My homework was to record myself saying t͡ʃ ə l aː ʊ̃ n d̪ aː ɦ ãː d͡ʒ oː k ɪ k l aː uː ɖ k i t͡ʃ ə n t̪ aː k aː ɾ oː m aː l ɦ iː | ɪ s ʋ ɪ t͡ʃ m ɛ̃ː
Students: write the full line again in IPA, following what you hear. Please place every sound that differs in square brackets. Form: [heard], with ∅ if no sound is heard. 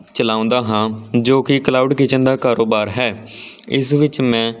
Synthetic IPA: t͡ʃ ə l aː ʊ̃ n d̪ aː ɦ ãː d͡ʒ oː k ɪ k l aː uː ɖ k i t͡ʃ ə n [d̪] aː k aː ɾ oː [b] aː [ɾ] ɦ [ɛː] | ɪ s ʋ ɪ t͡ʃ m ɛ̃ː